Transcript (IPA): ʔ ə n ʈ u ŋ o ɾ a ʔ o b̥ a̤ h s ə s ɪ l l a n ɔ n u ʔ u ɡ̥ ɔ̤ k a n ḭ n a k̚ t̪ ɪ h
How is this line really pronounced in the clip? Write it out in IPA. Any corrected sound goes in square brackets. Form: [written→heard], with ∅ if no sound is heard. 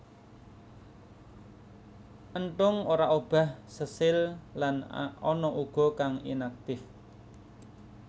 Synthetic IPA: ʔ ə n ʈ [u→ʊ] ŋ o ɾ a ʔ o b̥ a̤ h s ə s ɪ l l a n ɔ n [u→ɔ] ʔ u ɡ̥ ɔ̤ k a [n→ŋ] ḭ n a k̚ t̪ ɪ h